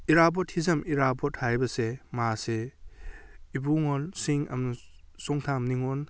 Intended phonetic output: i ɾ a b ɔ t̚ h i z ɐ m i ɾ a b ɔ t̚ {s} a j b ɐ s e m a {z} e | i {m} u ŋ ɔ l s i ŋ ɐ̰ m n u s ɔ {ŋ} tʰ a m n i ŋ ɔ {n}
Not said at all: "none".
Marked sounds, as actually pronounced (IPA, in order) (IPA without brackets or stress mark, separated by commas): h, s, b, ŋ, n